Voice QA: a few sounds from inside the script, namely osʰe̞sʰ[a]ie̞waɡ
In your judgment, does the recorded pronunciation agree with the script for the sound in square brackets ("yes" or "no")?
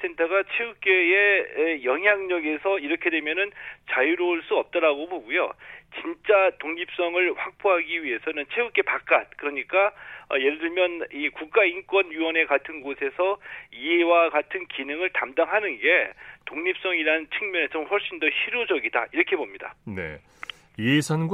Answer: no